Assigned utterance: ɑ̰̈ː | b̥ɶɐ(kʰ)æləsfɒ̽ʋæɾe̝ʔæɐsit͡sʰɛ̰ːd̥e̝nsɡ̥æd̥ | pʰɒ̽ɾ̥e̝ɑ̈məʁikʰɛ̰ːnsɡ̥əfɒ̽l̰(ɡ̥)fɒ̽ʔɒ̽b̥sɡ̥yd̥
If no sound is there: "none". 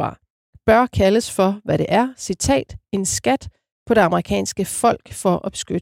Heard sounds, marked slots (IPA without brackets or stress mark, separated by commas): kʰ, ɡ̥